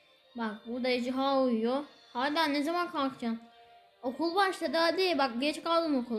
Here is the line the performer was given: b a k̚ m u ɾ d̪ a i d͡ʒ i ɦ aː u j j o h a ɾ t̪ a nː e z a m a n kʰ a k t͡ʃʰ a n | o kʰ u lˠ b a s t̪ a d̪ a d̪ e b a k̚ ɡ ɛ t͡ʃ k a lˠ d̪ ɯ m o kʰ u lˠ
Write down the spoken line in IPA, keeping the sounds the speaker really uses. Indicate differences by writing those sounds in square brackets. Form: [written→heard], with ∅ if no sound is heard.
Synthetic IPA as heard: b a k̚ [m→b] u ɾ d̪ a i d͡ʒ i ɦ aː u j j o h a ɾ [t̪→d̪] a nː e z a m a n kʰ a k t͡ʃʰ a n | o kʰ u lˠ b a [s→ʃ] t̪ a d̪ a d̪ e b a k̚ ɡ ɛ t͡ʃ k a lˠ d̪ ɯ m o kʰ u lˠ